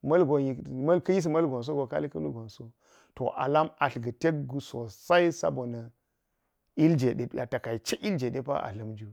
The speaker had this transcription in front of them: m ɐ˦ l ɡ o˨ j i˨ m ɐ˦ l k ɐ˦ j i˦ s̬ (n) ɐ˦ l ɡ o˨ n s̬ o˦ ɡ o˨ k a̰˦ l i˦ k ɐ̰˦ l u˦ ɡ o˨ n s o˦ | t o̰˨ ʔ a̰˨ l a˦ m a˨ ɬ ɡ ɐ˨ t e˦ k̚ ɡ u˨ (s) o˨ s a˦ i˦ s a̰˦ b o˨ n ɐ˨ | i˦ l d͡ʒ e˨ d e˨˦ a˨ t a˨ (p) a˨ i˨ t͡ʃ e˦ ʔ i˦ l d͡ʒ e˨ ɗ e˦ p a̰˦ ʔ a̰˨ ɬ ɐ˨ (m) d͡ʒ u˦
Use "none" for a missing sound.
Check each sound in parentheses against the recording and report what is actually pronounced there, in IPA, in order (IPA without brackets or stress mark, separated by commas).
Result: m, s, k, m